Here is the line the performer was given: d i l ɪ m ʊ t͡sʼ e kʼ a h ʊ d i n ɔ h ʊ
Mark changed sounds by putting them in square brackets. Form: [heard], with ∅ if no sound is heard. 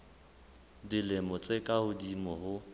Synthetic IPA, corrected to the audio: d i l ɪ m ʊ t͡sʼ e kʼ a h ʊ d i [m] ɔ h ʊ